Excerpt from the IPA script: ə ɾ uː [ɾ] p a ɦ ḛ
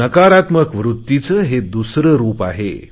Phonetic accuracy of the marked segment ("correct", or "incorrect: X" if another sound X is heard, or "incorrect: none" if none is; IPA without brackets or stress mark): incorrect: none